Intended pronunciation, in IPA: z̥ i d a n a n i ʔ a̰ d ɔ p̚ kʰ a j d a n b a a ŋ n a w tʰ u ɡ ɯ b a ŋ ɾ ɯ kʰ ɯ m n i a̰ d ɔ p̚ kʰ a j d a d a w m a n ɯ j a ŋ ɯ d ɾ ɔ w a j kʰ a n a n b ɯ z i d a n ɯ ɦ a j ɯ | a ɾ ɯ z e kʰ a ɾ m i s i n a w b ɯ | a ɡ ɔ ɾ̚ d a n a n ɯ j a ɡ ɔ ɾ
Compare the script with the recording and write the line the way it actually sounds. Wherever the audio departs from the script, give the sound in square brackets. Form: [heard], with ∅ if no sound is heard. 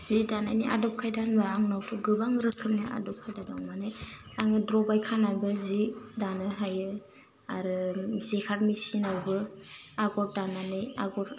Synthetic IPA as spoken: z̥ i d a n a n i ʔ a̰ d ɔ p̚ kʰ a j d a n b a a ŋ n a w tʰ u ɡ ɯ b a ŋ ɾ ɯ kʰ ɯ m n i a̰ d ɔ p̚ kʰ a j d a d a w m a n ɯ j a ŋ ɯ d ɾ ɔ [b] a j kʰ a n a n b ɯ z i d a n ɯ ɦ a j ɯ | a ɾ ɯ z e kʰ a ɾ m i s i n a w b ɯ | a ɡ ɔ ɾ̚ d a n a n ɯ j a ɡ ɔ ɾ